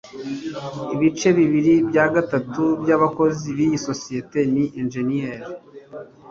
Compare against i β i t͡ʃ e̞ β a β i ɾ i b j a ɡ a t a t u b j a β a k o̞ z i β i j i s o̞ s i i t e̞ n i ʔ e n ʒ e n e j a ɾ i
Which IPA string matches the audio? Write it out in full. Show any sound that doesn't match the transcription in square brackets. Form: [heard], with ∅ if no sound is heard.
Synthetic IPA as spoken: i β i t͡ʃ e̞ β [i] β i ɾ i b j a ɡ a t a t u b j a β a k o̞ z i β i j i s o̞ s i [e] t e̞ n i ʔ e n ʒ e n [i] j [e] ɾ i